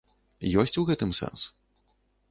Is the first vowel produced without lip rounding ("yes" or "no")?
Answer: no